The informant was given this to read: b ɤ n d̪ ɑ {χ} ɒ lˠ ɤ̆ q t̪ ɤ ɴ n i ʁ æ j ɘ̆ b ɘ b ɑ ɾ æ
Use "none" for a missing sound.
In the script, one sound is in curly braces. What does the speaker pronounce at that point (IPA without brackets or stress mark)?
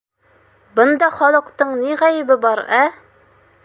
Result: χ